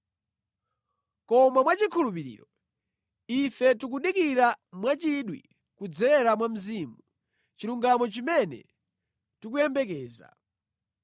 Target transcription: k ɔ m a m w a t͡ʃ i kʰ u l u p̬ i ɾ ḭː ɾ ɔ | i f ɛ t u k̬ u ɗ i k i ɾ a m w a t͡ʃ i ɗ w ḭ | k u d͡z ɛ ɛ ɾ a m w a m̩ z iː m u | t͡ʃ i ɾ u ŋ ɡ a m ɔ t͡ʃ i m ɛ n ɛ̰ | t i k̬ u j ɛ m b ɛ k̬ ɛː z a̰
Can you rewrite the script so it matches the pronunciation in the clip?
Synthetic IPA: k ɔ m a m w a t͡ʃ i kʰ u l u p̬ i ɾ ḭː ɾ ɔ | i f ɛ t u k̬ u ɗ i k i ɾ a m w a t͡ʃ i ɗ w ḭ | k u d͡z ɛ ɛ ɾ a m w a m̩ z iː m u | t͡ʃ i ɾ u ŋ ɡ a m ɔ t͡ʃ i m ɛ n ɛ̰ | t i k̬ u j ɛ m b ɛ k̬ ɛː z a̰